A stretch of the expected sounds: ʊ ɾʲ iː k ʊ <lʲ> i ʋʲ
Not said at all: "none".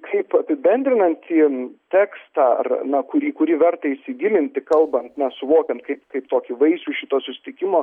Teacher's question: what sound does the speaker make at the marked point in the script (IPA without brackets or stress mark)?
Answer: ɾʲ